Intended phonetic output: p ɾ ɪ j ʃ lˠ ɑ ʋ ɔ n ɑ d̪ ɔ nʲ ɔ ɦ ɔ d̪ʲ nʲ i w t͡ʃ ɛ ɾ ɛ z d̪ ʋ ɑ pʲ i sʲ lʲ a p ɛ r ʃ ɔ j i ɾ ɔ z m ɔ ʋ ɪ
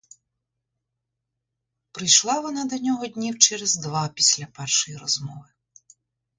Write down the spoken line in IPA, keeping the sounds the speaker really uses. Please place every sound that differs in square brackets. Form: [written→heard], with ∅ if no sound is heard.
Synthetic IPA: p ɾ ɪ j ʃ lˠ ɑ ʋ ɔ n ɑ d̪ ɔ nʲ ɔ ɦ ɔ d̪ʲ nʲ i w t͡ʃ ɛ ɾ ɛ z d̪ ʋ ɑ pʲ i sʲ lʲ a p ɛ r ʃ ɔ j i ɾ ɔ z m ɔ ʋ ɪ